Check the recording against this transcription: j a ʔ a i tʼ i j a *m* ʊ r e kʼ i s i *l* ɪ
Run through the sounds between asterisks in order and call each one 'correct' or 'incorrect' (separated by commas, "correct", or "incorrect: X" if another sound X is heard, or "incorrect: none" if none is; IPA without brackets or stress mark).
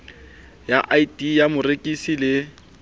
correct, correct